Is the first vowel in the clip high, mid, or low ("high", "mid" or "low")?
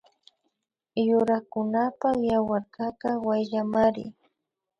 high